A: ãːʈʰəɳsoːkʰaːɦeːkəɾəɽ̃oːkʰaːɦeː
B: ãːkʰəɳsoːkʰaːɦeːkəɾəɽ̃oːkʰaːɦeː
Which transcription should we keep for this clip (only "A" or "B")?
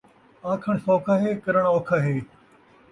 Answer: B